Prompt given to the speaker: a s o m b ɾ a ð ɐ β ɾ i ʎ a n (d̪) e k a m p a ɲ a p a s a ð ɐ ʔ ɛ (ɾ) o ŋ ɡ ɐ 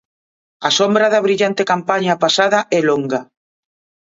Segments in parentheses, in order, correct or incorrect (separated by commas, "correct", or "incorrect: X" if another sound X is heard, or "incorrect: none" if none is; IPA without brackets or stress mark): incorrect: t̪, incorrect: l